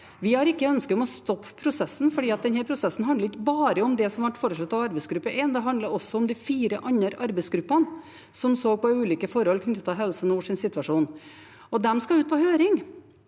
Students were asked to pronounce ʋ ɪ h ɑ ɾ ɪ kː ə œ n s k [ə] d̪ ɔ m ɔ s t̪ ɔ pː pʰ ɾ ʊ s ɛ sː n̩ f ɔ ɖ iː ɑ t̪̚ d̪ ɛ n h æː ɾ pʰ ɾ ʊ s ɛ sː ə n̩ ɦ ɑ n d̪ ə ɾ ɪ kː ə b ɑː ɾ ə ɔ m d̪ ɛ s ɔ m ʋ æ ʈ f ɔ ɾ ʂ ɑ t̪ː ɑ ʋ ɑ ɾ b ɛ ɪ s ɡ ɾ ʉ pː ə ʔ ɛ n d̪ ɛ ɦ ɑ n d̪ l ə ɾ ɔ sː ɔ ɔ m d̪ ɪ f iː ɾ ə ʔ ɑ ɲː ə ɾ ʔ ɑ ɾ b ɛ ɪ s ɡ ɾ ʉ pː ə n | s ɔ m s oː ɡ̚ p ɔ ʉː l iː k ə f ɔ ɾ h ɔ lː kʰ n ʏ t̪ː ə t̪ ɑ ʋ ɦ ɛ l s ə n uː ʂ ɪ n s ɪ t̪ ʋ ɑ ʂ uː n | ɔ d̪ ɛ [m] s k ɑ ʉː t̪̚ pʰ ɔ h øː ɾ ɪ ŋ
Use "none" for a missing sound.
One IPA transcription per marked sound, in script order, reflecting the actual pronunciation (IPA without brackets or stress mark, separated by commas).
ə, m